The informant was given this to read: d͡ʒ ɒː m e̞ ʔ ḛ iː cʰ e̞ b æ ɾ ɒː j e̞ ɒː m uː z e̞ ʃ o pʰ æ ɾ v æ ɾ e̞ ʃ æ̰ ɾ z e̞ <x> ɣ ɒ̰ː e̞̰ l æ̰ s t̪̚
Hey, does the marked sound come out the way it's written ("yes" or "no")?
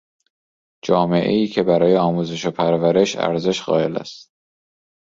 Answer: no